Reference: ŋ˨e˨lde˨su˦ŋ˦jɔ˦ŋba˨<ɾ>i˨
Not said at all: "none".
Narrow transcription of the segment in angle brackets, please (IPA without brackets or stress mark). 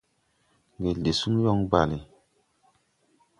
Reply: l